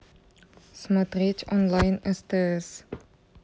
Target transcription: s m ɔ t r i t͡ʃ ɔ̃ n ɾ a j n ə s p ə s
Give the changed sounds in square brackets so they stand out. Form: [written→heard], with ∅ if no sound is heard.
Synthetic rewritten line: s m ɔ t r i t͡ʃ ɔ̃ n [ɾ→l] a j n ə s [p→t] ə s